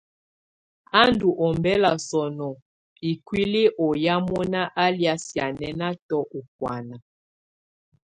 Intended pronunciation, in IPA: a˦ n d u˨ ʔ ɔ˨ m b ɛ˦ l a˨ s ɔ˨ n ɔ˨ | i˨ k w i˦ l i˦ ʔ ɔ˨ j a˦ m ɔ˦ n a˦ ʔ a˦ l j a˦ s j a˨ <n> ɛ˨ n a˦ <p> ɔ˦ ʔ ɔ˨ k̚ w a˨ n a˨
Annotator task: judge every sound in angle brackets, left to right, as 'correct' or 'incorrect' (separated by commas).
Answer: correct, incorrect